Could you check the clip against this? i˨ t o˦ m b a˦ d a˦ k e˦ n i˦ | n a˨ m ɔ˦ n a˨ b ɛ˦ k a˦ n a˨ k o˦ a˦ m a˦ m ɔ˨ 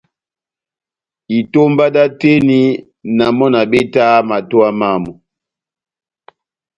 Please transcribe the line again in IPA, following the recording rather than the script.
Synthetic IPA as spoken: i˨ t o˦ m b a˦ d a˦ t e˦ n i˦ | n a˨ m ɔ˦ n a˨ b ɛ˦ t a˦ m a˨ t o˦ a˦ m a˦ m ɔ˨